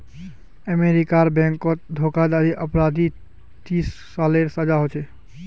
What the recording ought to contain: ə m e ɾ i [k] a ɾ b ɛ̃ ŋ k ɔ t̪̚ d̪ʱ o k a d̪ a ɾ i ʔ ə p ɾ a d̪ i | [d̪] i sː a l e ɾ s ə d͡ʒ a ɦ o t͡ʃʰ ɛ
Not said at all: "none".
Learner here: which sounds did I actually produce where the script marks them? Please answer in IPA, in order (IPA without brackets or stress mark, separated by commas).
k, t̪